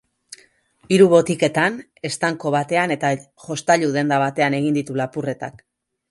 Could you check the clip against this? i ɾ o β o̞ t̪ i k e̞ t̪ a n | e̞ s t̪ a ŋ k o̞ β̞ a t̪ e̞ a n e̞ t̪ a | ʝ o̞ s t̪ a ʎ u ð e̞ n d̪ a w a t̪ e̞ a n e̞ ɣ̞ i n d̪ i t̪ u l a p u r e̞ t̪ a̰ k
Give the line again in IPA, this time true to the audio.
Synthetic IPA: i ɾ u β o̞ t̪ i k e̞ t̪ a n | e̞ s t̪ a ŋ k o̞ β̞ a t̪ e̞ a n e̞ t̪ a | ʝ o̞ s t̪ a ʎ u ð e̞ n d̪ a β a t̪ e̞ a n e̞ ɣ̞ i n d̪ i t̪ u l a p u r e̞ t̪ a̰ k